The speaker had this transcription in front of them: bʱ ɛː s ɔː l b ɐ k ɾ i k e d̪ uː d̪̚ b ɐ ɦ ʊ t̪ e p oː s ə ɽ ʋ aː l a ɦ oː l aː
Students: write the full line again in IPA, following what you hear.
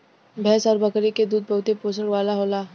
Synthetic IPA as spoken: bʱ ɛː s ɔː ɾ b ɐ k ɾ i k e d̪ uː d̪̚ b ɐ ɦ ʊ t̪ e p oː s ə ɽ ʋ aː l a ɦ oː l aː